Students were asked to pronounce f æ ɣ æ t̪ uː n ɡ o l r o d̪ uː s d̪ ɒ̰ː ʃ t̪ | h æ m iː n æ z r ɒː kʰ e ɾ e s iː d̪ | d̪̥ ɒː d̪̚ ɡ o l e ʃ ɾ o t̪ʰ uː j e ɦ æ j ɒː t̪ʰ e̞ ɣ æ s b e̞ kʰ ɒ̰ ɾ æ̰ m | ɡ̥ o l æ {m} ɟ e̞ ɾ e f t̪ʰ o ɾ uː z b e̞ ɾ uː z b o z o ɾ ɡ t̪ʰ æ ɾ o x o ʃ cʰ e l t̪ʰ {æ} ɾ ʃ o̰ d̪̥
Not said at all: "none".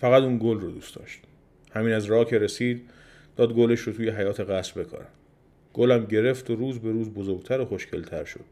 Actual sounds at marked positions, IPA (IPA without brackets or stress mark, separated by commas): m, æ